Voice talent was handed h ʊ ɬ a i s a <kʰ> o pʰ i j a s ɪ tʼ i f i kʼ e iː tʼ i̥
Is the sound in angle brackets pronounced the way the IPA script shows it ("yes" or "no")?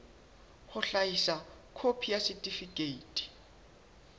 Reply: yes